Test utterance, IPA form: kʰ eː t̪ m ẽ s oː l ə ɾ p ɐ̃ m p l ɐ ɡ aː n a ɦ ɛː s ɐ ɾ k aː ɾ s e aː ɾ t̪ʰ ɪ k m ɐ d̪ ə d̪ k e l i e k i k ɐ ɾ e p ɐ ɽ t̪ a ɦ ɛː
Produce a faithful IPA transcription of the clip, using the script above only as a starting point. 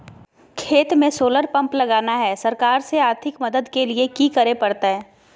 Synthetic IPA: kʰ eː t̪ m ẽ s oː l ə ɾ p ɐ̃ m p l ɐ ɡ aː n a ɦ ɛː s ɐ ɾ k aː ɾ s e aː ɾ t̪ʰ ɪ k m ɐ d̪ ə d̪ k e l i e k i k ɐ ɾ e p ɐ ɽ t̪ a ɦ ɛː